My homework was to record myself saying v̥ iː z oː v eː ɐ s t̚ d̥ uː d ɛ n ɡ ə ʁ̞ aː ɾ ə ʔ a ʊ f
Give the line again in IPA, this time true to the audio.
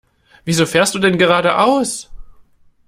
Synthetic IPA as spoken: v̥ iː z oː f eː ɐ s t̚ d̥ uː d ɛ n ɡ ə ʁ̞ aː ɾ ə ʔ a ʊ s

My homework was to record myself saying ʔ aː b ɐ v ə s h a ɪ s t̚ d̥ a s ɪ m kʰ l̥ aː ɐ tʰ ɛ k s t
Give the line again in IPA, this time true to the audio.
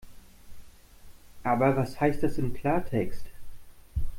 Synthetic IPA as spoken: ʔ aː b ɐ v a s h a ɪ s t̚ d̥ a s ɪ m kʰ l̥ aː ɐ tʰ ɛ k s t

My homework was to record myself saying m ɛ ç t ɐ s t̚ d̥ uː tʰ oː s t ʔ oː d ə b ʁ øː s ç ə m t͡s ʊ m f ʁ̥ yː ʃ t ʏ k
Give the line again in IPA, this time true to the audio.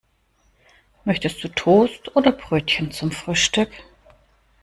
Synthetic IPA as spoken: m œ ç t ə s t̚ d̥ uː tʰ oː s t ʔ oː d ɐ b ʁ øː t ç ə n t͡s ʊ m f ʁ̥ yː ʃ t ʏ k

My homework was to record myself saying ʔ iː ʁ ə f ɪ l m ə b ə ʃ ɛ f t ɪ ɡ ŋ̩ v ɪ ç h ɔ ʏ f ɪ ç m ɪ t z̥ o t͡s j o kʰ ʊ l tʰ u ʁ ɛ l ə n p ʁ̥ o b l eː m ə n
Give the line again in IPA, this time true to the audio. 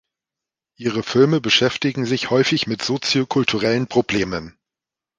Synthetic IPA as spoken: ʔ iː ʁ ə f ɪ l m ə b ə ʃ ɛ f t ɪ ɡ ŋ̩ z ɪ ç h ɔ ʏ f ɪ ç m ɪ t z̥ o t͡s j o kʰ ʊ l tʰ u ʁ ɛ l ə n p ʁ̥ o b l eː m ə n

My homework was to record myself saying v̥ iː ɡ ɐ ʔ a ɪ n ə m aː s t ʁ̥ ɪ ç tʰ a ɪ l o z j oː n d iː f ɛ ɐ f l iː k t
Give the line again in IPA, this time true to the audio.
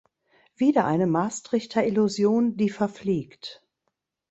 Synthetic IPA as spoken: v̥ iː d ɐ ʔ a ɪ n ə m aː s t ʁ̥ ɪ ç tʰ ɐ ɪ l u z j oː n d iː f ɛ ɐ f l iː k t

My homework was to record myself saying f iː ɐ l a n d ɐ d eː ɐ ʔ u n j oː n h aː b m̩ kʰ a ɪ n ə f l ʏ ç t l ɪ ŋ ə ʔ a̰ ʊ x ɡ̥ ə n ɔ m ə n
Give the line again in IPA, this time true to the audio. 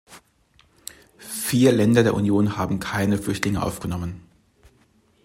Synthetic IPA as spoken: f iː ɐ l ɛ n d ɐ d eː ɐ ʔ u n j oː n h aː b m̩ kʰ a ɪ n ə f l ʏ ç t l ɪ ŋ ə ʔ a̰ ʊ f ɡ̥ ə n ɔ m ə n

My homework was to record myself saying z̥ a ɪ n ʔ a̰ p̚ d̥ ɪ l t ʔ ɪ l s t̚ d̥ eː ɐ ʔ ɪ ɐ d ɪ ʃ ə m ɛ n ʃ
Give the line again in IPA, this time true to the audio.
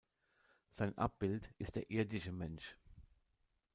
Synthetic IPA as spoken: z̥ a ɪ n ʔ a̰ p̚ b̥ ɪ l t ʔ ɪ s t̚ d̥ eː ɐ ʔ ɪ ɐ d ɪ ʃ ə m ɛ n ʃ

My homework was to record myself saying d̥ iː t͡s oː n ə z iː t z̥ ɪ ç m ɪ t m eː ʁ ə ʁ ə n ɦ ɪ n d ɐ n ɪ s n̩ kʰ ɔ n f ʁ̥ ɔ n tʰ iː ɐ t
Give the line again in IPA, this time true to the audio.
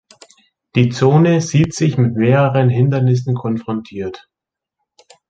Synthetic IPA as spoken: d̥ iː t͡s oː n ə z iː t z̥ ɪ ç m ɪ t m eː ʁ ə ʁ ə n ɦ ɪ n d ɐ n ɪ s n̩ kʰ ɔ n f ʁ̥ ɔ n tʰ iː ɐ t

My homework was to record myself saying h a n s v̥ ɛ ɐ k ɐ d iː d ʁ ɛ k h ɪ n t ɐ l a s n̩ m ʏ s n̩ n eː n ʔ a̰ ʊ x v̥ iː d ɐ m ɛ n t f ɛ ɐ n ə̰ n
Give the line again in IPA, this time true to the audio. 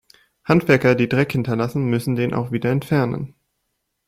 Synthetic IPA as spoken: h a n t v̥ ɛ ɐ k ɐ d iː d ʁ ɛ k h ɪ n t ɐ l a s n̩ m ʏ s n̩ d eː n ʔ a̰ ʊ x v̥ iː d ɐ ɛ n t f ɛ ɐ n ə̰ n

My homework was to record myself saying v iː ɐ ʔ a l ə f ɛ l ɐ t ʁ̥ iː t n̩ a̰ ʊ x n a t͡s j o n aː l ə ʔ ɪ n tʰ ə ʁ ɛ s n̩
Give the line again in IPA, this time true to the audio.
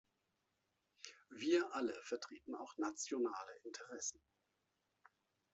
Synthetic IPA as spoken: v iː ɐ ʔ a l ə f ɛ ɐ t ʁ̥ iː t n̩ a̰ ʊ x n a t͡s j o n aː l ə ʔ ɪ n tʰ ə ʁ ɛ s n̩

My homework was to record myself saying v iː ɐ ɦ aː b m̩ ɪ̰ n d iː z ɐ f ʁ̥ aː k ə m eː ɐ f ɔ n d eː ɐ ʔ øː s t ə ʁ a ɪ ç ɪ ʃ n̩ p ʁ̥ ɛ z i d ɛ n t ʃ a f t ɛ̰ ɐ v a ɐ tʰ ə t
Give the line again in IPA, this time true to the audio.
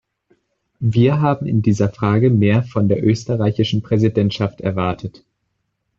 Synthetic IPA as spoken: v iː ɐ ɦ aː b m̩ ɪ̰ n d iː z ɐ f ʁ̥ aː ɡ ə m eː ɐ f ɔ n d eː ɐ ʔ øː s t ə ʁ a ɪ ç ɪ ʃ n̩ p ʁ̥ ɛ z i d ɛ n t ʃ a f t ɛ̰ ɐ v a ɐ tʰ ə t

